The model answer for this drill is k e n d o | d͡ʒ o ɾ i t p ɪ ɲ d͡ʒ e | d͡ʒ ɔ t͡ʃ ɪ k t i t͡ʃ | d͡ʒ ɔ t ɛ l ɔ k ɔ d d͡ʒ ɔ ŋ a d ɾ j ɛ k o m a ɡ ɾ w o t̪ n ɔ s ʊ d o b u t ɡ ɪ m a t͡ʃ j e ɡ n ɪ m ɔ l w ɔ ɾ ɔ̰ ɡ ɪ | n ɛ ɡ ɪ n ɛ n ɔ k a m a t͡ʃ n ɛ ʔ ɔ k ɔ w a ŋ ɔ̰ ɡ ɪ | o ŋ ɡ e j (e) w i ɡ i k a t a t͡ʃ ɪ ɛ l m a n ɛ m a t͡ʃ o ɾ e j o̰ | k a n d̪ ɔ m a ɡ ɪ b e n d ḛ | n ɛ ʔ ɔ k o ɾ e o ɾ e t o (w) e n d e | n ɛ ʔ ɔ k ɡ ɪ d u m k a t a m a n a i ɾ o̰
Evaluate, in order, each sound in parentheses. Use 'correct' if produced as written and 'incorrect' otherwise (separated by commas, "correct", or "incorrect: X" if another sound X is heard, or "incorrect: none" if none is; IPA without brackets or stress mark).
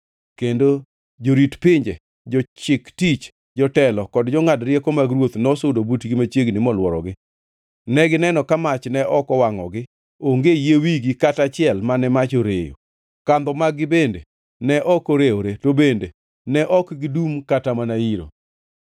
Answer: correct, incorrect: b